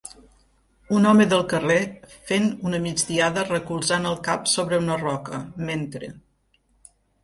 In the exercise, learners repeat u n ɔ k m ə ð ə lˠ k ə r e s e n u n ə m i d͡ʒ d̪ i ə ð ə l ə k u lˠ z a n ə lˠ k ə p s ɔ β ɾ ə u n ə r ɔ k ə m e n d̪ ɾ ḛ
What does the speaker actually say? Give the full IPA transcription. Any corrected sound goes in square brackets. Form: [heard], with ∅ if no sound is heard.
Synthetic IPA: u n ɔ [∅] m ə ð ə lˠ k ə r e [f] e n u n ə m i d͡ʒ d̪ i [a] ð ə [r] ə k u lˠ z a n ə lˠ k [a] p s [o] β ɾ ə u n ə r ɔ k ə m e n [t̪] ɾ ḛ